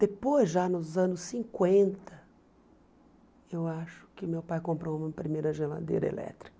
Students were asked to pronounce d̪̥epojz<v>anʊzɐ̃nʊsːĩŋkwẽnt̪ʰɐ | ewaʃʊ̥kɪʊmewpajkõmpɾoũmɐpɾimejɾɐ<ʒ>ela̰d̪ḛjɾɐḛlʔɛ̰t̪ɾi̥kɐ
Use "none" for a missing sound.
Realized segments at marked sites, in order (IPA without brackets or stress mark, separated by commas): ʒ, ʒ